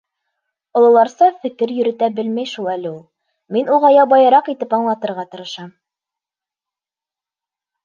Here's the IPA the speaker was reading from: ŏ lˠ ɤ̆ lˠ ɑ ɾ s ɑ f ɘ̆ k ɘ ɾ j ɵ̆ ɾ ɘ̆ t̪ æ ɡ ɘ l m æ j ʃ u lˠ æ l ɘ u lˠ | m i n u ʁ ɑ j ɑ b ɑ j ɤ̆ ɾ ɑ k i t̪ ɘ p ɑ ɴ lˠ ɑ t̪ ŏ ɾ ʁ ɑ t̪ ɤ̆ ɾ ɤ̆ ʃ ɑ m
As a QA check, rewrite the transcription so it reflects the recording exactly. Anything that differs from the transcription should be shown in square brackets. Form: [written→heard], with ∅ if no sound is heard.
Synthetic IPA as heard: ŏ lˠ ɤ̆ lˠ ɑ ɾ s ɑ f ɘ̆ k ɘ ɾ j ɵ̆ ɾ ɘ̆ t̪ æ [ɡ→b] ɘ l m æ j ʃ u lˠ æ l ɘ u lˠ | m i n u ʁ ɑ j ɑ b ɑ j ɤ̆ ɾ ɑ [k→q] i t̪ ɘ p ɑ ɴ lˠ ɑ t̪ [ŏ→ɤ̆] ɾ ʁ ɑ t̪ ɤ̆ ɾ ɤ̆ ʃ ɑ m

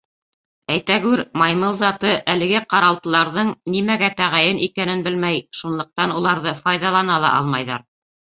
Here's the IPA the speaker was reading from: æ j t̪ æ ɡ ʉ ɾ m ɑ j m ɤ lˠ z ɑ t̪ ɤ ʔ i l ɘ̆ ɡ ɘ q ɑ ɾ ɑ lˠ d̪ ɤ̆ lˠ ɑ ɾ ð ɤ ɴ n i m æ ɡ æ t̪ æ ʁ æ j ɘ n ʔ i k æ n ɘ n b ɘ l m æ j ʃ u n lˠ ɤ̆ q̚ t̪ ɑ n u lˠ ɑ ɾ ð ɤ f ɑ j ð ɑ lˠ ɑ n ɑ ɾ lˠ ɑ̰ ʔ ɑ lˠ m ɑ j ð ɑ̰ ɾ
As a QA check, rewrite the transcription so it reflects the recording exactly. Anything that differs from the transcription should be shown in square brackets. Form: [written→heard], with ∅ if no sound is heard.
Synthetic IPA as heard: æ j t̪ æ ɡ ʉ ɾ m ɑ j m ɤ lˠ z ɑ t̪ ɤ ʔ [i→æ] l ɘ̆ ɡ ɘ q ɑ ɾ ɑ lˠ [d̪→t̪] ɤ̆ lˠ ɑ ɾ ð ɤ ɴ n i m æ ɡ æ t̪ æ ʁ æ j ɘ n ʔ i k æ n ɘ n b ɘ l m æ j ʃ u n lˠ ɤ̆ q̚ t̪ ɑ n u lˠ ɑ ɾ ð ɤ f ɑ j ð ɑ lˠ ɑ n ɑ [ɾ→∅] lˠ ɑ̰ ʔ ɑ lˠ m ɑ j ð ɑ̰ ɾ

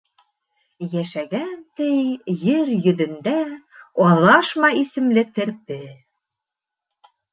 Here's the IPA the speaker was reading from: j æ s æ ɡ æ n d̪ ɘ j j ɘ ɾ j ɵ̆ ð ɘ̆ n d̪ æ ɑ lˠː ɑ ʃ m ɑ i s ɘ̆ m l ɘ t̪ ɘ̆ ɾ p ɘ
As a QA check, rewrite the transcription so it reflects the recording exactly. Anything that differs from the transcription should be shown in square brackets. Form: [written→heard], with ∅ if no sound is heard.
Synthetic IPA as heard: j æ [s→ʃ] æ ɡ æ n [d̪→t̪] ɘ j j ɘ ɾ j ɵ̆ ð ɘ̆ n d̪ æ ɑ [lˠː→lˠ] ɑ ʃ m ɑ i s ɘ̆ m l ɘ t̪ ɘ̆ ɾ p ɘ

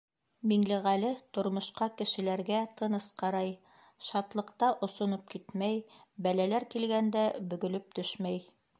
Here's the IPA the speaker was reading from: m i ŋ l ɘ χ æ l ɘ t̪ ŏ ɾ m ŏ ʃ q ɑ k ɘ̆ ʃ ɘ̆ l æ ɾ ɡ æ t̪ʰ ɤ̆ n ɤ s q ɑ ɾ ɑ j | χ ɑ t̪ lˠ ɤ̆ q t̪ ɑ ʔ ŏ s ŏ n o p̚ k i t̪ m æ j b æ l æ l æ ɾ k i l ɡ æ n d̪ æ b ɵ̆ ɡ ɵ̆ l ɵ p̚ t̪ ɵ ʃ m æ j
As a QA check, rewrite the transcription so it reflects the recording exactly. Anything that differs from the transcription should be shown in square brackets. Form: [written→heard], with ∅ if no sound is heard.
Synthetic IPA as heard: m i ŋ l ɘ [χ→ʁ] æ l ɘ t̪ ŏ ɾ m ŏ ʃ q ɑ k ɘ̆ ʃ ɘ̆ l æ ɾ ɡ æ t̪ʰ ɤ̆ n ɤ s q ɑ ɾ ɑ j | [χ→ʃ] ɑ t̪ lˠ ɤ̆ q t̪ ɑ ʔ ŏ s ŏ n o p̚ k i t̪ m æ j b æ l æ l æ ɾ k i l ɡ æ n d̪ æ b ɵ̆ ɡ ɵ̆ l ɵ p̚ t̪ ɵ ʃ m æ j

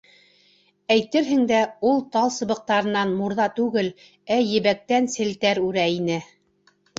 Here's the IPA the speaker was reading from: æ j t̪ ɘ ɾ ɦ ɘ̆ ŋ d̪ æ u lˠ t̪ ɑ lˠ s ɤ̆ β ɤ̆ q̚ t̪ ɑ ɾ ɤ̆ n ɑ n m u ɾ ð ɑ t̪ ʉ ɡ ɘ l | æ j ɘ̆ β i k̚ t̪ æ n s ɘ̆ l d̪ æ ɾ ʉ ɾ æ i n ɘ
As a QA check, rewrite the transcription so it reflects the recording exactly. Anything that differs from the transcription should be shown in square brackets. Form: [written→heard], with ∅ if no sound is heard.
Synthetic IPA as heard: æ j t̪ ɘ ɾ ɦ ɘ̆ ŋ d̪ æ u lˠ t̪ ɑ lˠ s ɤ̆ β ɤ̆ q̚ t̪ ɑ ɾ ɤ̆ n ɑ n m u ɾ ð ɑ t̪ ʉ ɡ ɘ l | æ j ɘ̆ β [i→æ] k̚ t̪ æ n s ɘ̆ l [d̪→t̪] æ ɾ ʉ ɾ æ i n ɘ

